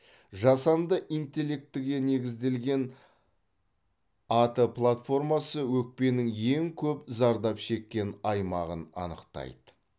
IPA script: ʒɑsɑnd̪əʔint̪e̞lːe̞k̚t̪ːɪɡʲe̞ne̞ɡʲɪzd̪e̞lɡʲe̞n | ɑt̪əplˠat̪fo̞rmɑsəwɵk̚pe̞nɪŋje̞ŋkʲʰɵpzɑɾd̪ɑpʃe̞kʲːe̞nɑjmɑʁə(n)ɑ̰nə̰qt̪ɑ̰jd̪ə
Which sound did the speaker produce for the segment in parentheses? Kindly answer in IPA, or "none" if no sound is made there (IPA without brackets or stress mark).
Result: n